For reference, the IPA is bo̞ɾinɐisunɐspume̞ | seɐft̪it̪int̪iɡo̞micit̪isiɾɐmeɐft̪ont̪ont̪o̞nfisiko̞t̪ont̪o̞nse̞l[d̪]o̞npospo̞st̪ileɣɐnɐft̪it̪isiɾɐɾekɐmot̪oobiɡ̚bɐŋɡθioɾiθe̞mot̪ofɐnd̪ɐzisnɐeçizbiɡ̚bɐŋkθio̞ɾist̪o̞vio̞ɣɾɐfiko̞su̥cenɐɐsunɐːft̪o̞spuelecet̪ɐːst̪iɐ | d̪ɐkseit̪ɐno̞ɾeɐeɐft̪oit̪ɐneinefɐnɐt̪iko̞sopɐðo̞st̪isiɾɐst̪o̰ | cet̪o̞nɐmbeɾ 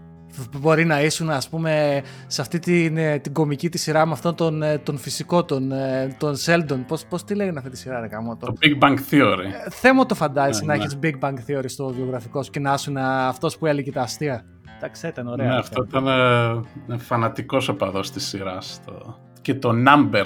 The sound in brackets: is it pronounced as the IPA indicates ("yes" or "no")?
yes